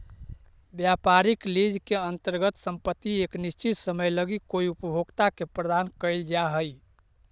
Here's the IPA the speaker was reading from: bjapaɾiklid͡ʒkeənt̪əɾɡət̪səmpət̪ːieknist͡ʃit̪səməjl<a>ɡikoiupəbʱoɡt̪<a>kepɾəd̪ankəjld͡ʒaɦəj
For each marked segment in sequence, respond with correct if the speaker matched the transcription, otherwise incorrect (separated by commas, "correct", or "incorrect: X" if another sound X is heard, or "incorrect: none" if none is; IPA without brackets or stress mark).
incorrect: ə, correct